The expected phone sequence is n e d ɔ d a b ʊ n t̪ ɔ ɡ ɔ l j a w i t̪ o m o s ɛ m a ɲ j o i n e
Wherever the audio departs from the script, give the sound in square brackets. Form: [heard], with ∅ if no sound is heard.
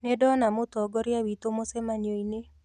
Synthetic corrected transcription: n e d ɔ [n] a [m] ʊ [∅] t̪ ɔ ɡ ɔ [ɾ] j a w i t̪ o m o s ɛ m a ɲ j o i n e